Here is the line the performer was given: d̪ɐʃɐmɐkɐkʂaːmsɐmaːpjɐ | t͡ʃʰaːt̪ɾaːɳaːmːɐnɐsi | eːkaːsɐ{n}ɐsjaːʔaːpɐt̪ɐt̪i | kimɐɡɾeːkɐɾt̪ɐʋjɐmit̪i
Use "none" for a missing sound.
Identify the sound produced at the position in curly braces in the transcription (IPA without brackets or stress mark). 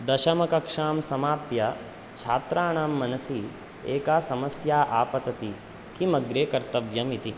m